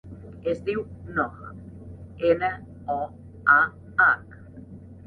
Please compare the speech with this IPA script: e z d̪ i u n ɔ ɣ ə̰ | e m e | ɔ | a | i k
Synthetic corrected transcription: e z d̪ i w n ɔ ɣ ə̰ | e n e | ɔ | a | a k